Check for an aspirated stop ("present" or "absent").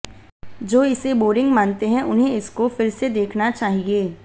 present